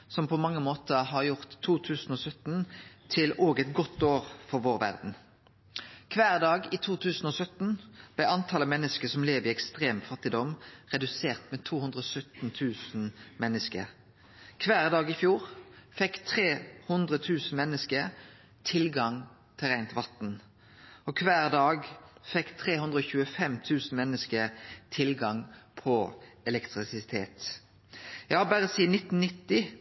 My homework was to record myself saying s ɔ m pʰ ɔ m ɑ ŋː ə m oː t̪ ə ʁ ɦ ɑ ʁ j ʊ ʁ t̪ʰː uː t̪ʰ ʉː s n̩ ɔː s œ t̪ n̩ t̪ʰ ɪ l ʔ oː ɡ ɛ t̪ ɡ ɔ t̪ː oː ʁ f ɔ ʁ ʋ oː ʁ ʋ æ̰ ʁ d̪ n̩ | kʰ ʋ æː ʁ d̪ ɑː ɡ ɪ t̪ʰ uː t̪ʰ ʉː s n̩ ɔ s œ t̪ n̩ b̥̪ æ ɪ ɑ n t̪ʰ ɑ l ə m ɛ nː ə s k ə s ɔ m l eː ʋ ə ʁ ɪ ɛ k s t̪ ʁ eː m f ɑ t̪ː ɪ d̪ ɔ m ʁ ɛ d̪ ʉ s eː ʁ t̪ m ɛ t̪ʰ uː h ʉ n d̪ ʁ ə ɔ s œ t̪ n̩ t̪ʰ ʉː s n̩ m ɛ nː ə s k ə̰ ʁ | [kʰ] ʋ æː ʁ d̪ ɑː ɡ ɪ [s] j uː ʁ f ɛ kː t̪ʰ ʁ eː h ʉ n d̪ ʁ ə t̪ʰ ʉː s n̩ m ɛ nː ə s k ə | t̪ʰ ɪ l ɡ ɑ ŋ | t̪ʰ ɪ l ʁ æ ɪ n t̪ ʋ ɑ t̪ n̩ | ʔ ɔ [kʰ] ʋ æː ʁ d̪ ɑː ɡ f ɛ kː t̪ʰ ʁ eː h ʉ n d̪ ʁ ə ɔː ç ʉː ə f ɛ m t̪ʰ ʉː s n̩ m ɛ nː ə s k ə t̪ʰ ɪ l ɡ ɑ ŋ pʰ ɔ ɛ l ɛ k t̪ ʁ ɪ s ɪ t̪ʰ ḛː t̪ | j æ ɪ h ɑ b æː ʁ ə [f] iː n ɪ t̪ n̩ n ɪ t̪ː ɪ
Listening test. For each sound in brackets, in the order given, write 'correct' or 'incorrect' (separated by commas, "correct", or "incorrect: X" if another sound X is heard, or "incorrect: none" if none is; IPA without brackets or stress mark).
correct, incorrect: f, correct, incorrect: s